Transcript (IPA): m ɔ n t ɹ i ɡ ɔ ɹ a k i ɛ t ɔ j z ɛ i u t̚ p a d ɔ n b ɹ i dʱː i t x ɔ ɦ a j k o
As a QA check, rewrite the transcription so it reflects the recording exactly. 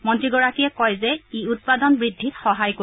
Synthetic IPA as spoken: m ɔ n t ɹ i ɡ ɔ ɹ a k i ɛ k ɔ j z ɛ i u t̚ p a d ɔ n b ɹ i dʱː i t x ɔ ɦ a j k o